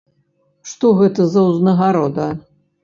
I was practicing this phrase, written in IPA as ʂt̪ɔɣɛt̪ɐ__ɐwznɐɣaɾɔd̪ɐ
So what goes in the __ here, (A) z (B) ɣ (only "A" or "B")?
A